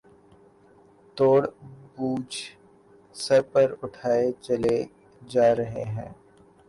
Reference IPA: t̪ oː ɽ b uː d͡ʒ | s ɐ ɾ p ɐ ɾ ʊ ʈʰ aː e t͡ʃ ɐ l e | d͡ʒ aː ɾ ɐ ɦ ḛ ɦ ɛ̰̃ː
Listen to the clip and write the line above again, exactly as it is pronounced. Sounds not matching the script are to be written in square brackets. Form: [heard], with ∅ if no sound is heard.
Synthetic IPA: t̪ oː ɽ b uː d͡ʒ | s ɐ ɾ p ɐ ɾ ʊ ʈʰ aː e t͡ʃ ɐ l e | d͡ʒ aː ɾ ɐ ɦ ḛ ɦ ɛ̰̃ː

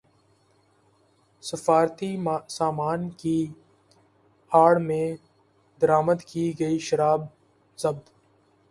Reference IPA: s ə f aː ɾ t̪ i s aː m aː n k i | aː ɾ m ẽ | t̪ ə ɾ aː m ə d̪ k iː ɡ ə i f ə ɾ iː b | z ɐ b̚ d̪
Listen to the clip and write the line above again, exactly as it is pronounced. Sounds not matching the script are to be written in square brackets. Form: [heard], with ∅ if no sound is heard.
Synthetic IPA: s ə f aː ɾ t̪ i s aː m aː n k i | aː [ɽ] m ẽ | [d̪] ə ɾ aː m ə d̪ k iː ɡ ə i [ʃ] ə ɾ [aː] b | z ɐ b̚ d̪

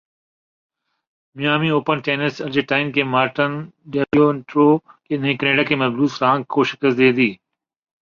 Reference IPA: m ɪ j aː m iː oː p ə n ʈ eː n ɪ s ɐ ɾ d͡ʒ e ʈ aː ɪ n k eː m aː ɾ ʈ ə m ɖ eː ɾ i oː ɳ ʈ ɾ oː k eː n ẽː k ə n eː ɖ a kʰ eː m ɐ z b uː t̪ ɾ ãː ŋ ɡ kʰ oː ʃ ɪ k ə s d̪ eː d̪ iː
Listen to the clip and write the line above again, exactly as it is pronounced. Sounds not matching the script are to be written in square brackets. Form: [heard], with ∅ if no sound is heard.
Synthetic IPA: m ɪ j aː m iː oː p ə n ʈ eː n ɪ s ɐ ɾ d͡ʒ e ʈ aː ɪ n k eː m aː ɾ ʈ ə [n] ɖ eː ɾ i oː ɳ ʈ ɾ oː k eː n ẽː k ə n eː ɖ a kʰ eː m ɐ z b uː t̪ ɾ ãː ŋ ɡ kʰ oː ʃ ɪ k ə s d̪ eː d̪ iː

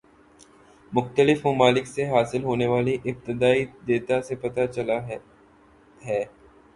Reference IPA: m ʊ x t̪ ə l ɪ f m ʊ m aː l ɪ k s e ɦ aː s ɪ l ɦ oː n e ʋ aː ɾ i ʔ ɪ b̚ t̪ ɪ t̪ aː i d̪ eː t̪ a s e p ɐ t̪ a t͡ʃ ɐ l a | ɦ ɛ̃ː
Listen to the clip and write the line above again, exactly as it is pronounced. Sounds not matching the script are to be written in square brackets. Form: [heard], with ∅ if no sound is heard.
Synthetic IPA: m ʊ x t̪ ə l ɪ f m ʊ m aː l ɪ k s e ɦ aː s ɪ l ɦ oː n e ʋ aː [l] i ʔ ɪ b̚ t̪ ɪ [d̪] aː i d̪ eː t̪ a s e p ɐ t̪ a t͡ʃ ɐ l a | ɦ [ɛː]

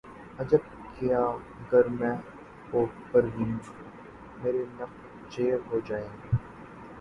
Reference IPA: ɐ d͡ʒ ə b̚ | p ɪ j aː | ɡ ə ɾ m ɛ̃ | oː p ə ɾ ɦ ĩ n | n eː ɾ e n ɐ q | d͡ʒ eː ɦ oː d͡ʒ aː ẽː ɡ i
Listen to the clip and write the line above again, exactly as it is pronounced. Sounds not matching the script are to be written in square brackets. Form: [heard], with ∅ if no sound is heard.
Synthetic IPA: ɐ d͡ʒ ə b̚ | [k] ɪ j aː | ɡ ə ɾ m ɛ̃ | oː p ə ɾ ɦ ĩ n | [m] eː ɾ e n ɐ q | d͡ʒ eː ɦ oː d͡ʒ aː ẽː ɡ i

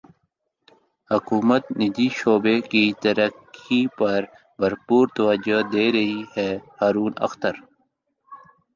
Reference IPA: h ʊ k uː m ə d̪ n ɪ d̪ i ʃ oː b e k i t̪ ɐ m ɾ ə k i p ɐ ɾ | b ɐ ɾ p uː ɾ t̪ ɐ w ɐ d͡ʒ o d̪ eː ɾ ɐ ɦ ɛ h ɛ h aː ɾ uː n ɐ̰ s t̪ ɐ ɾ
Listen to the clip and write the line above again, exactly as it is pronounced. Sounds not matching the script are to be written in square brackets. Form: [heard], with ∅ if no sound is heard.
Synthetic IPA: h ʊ k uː m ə [t̪] n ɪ d̪ i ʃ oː b e k i t̪ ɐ [∅] ɾ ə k i p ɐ ɾ | b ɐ ɾ p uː ɾ t̪ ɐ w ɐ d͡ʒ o d̪ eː ɾ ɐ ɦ [i] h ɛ h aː ɾ uː n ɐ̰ [x] t̪ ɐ ɾ

